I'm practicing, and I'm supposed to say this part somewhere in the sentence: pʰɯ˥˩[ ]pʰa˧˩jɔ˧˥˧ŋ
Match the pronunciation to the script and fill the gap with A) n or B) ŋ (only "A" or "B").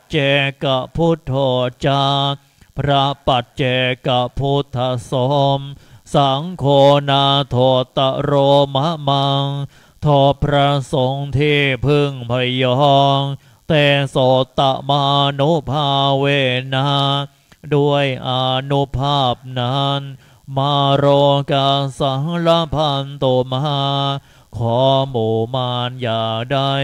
B